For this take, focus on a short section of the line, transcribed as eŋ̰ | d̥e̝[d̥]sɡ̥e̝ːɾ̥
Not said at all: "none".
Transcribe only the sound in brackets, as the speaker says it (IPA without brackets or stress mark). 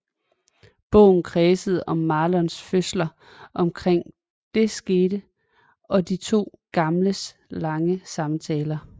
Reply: none